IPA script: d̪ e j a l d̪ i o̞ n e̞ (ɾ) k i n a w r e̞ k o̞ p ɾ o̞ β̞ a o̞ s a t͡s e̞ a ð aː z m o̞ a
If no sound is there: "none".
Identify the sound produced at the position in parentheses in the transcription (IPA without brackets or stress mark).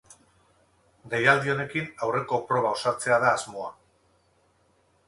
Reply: none